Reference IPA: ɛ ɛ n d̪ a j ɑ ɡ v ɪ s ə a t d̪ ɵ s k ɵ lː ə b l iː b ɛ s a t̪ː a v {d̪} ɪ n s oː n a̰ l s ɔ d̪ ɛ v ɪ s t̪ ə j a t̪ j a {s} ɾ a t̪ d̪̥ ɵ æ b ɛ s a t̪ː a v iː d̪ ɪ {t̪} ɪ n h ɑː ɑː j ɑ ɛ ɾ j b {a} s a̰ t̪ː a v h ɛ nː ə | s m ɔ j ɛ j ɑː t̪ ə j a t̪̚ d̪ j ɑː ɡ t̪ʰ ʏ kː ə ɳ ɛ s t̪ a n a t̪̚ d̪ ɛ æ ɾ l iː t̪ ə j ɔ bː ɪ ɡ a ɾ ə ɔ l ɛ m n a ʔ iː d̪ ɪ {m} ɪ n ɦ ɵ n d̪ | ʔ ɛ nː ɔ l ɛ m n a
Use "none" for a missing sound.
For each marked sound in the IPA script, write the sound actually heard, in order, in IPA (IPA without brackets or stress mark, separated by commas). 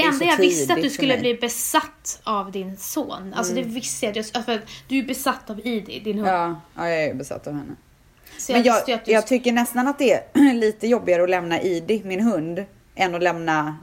d̪, f, d̪, ɛ, m